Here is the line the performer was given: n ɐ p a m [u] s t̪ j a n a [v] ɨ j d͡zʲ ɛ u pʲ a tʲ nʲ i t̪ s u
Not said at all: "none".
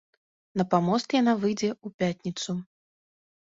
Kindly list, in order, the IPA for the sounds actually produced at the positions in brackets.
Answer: ɔ, v

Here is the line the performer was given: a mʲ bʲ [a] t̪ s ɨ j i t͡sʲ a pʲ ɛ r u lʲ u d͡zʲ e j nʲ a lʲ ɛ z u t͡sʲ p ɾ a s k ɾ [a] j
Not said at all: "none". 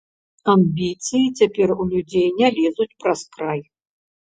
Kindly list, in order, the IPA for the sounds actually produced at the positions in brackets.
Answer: i, a

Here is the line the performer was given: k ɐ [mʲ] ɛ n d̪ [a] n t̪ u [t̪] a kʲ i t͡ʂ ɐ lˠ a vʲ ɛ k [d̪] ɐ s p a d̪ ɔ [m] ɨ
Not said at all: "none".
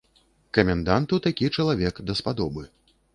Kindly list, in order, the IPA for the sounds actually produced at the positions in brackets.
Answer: mʲ, a, t̪, d̪, b

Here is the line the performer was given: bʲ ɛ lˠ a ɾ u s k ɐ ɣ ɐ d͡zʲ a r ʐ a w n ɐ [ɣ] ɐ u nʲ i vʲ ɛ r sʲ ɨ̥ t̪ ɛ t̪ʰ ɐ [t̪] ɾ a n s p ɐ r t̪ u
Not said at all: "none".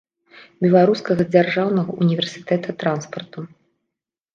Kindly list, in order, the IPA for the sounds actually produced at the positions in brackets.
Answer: ɣ, t̪

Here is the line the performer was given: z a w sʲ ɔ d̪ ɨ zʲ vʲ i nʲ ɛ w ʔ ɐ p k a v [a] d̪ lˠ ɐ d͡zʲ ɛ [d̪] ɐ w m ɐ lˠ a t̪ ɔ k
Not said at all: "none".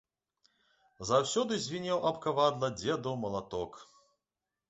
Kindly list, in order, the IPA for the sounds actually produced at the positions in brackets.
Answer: a, d̪

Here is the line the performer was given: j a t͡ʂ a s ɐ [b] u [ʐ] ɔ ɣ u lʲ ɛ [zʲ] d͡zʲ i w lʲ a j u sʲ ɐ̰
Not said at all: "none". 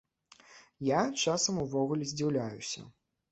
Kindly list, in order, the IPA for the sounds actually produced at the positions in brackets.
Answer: m, v, zʲ

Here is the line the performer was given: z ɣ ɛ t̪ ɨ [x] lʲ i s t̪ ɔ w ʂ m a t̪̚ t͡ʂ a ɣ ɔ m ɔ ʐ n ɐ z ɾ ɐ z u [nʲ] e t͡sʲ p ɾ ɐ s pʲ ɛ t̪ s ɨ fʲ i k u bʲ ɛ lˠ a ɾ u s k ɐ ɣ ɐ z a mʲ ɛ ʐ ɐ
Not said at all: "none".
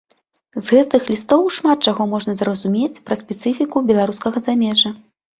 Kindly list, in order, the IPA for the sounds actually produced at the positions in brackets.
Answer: x, mʲ

